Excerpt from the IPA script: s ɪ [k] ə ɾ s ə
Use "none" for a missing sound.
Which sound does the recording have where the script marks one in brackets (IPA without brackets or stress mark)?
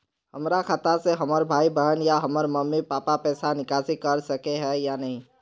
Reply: k